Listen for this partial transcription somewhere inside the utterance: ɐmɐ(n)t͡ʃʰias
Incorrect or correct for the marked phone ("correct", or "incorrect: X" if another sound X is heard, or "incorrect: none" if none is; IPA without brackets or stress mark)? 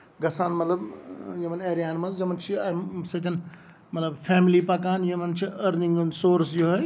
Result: correct